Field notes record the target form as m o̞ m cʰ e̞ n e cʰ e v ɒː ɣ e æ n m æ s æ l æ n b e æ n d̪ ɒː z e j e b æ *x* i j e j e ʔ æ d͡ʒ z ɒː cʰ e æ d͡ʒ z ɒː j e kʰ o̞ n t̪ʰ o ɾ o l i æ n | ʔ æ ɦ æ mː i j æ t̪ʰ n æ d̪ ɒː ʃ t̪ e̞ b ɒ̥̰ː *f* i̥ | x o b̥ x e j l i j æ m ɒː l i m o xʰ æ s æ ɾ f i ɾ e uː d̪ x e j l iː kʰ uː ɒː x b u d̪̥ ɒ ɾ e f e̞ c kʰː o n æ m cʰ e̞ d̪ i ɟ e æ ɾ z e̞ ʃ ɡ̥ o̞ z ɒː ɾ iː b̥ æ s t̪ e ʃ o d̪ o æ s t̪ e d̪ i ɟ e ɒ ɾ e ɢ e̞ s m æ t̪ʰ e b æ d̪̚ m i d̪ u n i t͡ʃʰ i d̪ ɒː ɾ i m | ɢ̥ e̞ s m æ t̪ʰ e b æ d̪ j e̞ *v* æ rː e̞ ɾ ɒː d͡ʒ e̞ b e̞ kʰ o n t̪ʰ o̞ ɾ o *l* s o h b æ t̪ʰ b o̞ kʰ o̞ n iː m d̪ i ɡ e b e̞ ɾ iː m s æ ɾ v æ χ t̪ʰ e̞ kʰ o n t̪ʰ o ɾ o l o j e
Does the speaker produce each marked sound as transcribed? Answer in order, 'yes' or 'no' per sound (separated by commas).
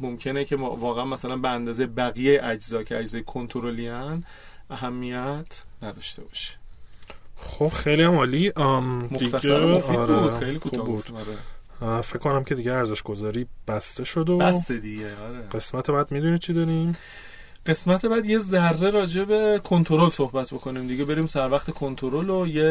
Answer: no, no, no, yes